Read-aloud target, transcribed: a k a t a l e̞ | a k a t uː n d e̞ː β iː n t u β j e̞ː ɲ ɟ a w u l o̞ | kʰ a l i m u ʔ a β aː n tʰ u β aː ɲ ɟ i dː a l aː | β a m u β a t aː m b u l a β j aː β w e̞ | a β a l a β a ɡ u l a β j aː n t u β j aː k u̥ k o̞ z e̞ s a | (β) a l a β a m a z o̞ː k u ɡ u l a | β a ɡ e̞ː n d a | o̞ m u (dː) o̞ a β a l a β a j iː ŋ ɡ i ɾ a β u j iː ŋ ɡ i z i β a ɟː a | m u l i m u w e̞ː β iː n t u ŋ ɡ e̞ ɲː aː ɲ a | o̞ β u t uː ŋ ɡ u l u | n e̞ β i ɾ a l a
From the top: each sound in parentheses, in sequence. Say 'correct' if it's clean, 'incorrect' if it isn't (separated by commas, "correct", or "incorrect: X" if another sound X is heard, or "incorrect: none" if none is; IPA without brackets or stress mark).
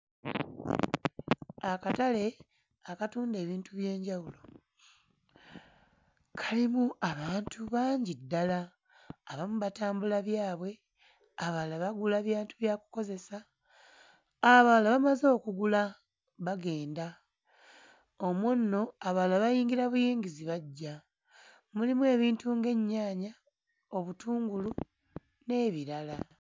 correct, incorrect: nː